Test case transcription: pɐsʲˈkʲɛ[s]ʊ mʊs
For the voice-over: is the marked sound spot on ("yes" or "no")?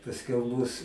no